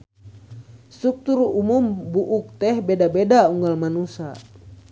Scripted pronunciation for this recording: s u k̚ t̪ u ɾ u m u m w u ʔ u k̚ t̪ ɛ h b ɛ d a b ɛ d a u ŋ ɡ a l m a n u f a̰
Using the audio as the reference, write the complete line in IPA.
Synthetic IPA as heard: s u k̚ t̪ u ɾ u m u m b u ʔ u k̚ t̪ ɛ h b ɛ d a b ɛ d a u ŋ ɡ a l m a n u s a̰